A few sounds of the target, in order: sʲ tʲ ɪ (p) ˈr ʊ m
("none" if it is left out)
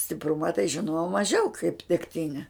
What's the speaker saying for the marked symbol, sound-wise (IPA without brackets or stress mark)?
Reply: p